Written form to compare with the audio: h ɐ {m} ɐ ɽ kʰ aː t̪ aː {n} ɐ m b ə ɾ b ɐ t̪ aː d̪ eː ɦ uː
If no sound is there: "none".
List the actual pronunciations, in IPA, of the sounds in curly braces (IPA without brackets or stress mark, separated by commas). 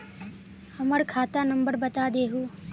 m, n